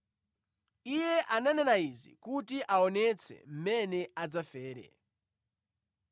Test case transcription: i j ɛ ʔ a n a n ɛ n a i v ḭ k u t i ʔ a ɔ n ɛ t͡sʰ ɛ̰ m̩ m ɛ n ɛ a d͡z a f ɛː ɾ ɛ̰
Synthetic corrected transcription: i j ɛ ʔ a n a n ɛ n a i z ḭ k u t i ʔ a ɔ n ɛ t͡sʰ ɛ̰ m̩ m ɛ n ɛ a d͡z a f ɛː ɾ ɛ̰

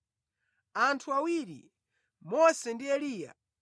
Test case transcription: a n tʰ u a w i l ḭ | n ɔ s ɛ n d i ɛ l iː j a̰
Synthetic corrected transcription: a n tʰ u a w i ɾ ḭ | m ɔ s ɛ n d i ɛ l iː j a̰

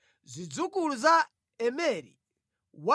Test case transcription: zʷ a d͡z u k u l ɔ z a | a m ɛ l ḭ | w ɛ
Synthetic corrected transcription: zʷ i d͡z u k u l u z a | ɛ m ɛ ɾ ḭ | w a

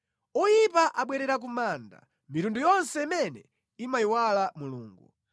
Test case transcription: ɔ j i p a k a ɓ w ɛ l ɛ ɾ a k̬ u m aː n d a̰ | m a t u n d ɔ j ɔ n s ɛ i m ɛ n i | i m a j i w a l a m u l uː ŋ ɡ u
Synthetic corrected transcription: ɔ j i p a ʔ a ɓ w ɛ ɾ ɛ ɾ a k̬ u m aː n d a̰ | m i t u n d u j ɔ n s ɛ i m ɛ n ɛ | i m a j i w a l a m u l uː ŋ ɡ u

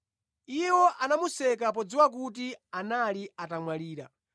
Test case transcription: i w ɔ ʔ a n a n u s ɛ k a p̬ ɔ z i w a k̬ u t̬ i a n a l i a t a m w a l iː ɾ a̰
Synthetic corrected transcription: i w ɔ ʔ a n a m u s ɛ k a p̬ ɔ d͡z i w a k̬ u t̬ i a n a l i a t a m w a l iː ɾ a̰

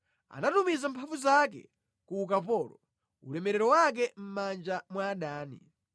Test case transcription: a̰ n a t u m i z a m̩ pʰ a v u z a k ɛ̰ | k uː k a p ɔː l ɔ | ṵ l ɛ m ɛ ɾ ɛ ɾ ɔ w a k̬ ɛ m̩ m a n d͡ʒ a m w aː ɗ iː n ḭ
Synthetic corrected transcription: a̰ n a t u m i z a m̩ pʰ a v u z a k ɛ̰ | k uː k a p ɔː l ɔ | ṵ l ɛ m ɛ ɾ ɛ ɾ ɔ w a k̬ ɛ m̩ m a n d͡ʒ a m w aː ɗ aː n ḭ

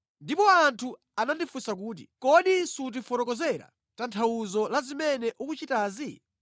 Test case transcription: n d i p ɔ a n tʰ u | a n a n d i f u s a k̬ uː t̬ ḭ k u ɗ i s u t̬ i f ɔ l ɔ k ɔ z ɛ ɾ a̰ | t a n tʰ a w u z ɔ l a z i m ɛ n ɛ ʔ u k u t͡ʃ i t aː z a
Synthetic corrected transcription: n d i p ɔ a n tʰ u | a n a n d i f u s a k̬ uː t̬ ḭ k ɔ ɗ i s u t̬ i f ɔ ɾ ɔ k ɔ z ɛ ɾ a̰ | t a n tʰ a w u z ɔ l a z i m ɛ n ɛ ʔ u k u t͡ʃ i t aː z i

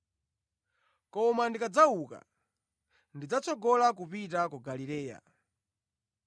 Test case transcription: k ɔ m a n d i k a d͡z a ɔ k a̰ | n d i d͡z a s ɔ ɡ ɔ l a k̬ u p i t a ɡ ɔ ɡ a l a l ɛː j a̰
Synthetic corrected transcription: k ɔ m a n d i k a d͡z a u k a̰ | n d i d͡z a t͡s ɔ ɡ ɔ l a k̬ u p i t a k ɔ ɡ a l i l ɛː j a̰

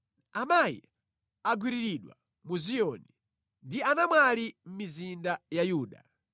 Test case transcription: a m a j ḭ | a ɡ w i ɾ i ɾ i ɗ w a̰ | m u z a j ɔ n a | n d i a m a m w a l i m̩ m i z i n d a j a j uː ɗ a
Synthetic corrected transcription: a m a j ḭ | a ɡ w i ɾ i ɾ i ɗ w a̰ | m u z i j ɔ n i | n d i a n a m w a l i m̩ m i z i n d a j a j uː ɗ a

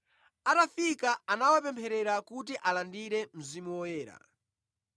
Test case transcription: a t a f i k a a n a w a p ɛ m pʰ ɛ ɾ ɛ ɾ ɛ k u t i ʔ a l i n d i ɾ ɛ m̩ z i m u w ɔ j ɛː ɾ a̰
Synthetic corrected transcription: a t a f i k a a n a w a p ɛ m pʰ ɛ ɾ ɛ ɾ a k u t i ʔ a l a n d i ɾ ɛ m̩ z i m u w ɔ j ɛː ɾ a̰

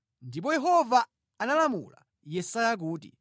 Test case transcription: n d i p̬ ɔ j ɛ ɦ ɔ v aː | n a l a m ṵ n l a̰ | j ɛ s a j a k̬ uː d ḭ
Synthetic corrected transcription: n d i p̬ ɔ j ɛ ɦ ɔ v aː | n a l a m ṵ l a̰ | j ɛ s a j a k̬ uː t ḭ

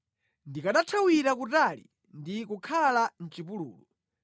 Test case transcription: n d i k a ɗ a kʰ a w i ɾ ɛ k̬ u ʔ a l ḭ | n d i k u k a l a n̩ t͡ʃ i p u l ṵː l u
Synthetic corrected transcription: n d i k a ɗ a tʰ a w i ɾ a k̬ u t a l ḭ | n d i k u kʰ a l a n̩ t͡ʃ i p u l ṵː l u

